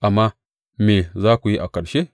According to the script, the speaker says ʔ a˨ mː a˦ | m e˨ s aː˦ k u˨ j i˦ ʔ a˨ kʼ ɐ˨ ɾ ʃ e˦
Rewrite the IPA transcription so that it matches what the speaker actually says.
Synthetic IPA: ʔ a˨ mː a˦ | m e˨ z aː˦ k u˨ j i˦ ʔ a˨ k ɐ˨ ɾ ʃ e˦